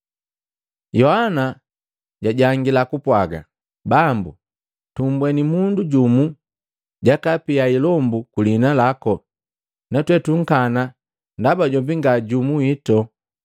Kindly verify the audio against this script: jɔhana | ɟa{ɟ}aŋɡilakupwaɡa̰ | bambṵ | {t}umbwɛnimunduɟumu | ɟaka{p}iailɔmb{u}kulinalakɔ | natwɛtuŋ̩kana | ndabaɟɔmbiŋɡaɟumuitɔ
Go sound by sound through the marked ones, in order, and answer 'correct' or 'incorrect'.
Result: correct, correct, correct, correct

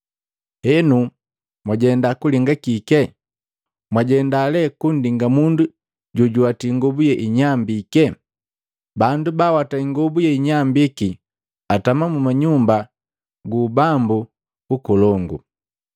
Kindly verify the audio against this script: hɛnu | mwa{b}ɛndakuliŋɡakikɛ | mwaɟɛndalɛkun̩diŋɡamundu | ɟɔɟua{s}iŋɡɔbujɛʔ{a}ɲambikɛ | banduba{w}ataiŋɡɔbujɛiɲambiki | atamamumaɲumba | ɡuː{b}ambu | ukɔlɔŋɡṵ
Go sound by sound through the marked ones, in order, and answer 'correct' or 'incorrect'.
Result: incorrect: ɟ, incorrect: t, incorrect: i, correct, correct

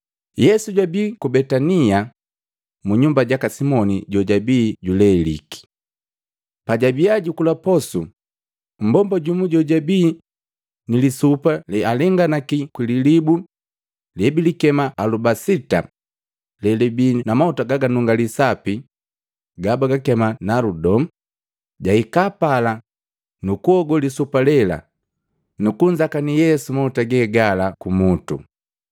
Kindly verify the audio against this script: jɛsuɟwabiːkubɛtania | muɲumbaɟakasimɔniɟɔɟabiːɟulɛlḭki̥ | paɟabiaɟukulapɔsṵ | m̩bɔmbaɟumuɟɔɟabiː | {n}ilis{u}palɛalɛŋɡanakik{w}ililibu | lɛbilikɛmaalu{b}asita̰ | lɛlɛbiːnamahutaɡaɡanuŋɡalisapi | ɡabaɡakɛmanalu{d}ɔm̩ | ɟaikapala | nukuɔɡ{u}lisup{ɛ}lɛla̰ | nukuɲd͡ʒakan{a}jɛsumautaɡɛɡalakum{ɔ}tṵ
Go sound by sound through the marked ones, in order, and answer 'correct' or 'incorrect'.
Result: correct, correct, correct, correct, correct, incorrect: ɔ, incorrect: a, incorrect: i, incorrect: u

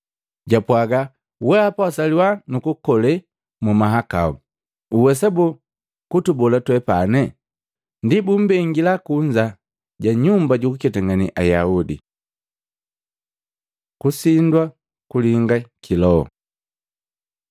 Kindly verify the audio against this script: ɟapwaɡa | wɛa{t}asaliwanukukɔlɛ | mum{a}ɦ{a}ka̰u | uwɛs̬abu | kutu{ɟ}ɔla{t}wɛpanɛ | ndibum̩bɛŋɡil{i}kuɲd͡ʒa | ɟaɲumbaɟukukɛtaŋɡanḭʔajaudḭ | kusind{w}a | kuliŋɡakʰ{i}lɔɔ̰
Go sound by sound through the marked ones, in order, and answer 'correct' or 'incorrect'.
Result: incorrect: p, correct, correct, incorrect: b, correct, incorrect: a, correct, correct

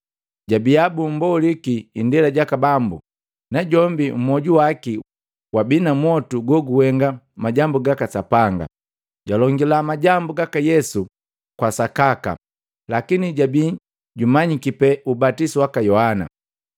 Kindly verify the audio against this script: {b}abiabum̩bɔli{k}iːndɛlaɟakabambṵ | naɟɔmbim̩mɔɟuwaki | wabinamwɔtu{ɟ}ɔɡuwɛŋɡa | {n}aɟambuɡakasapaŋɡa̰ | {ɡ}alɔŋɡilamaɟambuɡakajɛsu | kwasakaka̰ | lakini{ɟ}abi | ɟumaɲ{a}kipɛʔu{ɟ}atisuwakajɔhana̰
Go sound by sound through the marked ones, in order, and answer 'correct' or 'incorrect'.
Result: incorrect: ɟ, correct, incorrect: ɡ, incorrect: m, incorrect: ɟ, correct, incorrect: i, incorrect: b

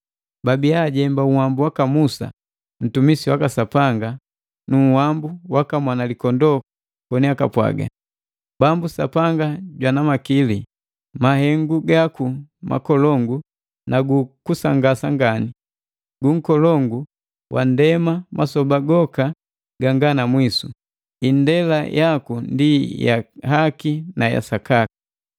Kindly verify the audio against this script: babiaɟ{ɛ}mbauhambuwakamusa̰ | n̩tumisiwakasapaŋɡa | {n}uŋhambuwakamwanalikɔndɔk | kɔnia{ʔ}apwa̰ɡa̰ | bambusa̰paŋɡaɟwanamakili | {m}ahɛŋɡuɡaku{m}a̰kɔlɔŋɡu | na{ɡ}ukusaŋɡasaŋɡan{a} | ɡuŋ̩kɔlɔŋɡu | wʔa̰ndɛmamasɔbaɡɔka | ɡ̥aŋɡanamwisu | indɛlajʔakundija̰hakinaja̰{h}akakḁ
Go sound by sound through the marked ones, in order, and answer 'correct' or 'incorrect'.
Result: correct, correct, incorrect: k, correct, correct, correct, incorrect: i, incorrect: s

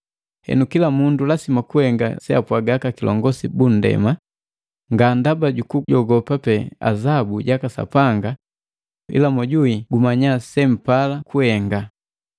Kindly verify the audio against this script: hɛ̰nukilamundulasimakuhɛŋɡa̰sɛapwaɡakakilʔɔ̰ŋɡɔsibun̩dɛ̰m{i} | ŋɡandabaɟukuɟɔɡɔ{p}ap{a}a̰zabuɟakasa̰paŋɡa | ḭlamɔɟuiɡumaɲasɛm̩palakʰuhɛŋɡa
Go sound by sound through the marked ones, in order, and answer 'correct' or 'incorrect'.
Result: incorrect: a, correct, incorrect: ɛ

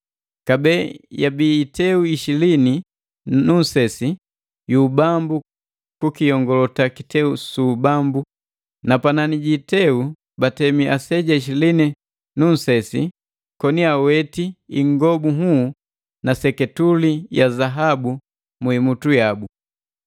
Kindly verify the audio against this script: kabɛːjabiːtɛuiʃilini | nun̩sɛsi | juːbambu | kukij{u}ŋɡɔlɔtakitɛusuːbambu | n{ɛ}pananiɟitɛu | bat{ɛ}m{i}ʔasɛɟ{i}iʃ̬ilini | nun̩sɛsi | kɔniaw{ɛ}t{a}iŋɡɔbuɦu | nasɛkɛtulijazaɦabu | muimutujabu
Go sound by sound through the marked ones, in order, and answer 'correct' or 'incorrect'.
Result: incorrect: ɔ, incorrect: a, correct, correct, incorrect: a, correct, incorrect: i

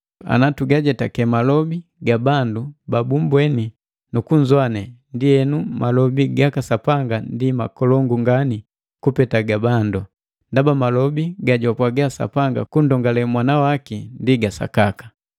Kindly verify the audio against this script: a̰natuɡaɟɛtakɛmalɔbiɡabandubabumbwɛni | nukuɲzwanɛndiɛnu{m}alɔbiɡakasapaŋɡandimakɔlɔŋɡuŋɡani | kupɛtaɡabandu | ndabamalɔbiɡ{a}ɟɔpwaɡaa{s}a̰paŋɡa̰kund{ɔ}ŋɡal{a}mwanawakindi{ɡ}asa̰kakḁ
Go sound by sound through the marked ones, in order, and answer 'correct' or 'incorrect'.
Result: correct, correct, correct, correct, incorrect: ɛ, correct

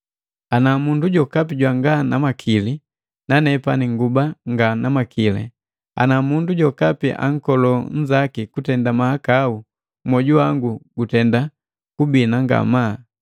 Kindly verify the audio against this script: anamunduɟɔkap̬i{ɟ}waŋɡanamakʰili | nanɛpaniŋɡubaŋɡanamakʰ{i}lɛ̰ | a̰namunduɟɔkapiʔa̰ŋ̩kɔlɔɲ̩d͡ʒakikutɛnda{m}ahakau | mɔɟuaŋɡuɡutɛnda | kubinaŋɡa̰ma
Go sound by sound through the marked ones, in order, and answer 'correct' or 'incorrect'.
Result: correct, correct, correct

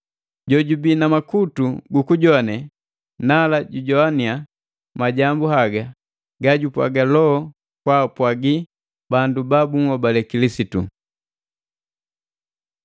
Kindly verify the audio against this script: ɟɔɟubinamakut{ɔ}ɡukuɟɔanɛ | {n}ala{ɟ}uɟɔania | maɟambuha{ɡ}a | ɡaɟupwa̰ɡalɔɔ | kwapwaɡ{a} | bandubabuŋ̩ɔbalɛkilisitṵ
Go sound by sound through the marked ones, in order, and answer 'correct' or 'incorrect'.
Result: incorrect: u, correct, correct, correct, incorrect: i

